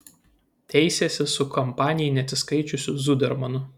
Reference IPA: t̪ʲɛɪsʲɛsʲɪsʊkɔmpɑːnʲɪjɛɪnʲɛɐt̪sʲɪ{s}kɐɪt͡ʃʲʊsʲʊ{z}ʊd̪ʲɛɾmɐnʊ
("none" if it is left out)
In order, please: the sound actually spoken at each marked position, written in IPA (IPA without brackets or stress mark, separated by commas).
s, z